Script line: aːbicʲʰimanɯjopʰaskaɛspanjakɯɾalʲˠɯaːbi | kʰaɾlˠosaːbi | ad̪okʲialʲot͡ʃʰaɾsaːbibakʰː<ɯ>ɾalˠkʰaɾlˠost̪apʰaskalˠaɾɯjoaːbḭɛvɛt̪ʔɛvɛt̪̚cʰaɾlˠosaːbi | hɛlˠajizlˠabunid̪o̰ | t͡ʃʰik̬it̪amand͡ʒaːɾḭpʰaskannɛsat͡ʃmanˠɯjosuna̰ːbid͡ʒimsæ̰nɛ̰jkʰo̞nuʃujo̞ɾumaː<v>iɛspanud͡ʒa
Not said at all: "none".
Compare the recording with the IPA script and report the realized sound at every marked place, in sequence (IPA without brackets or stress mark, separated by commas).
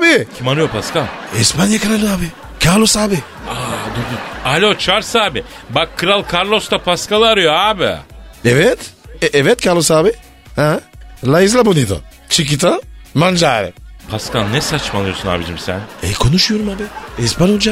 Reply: ɯ, b